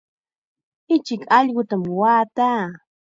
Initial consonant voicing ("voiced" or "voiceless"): voiceless